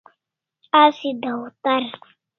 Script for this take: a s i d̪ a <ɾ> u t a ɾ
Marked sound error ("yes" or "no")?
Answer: yes